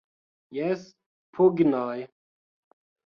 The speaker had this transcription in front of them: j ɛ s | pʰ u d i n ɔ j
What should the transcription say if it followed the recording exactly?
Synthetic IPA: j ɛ s | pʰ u ɡ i n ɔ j